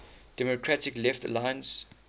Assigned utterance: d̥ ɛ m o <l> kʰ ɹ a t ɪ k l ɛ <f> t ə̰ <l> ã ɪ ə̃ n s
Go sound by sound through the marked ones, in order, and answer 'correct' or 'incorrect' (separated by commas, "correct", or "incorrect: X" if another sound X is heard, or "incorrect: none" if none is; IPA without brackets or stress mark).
incorrect: none, correct, correct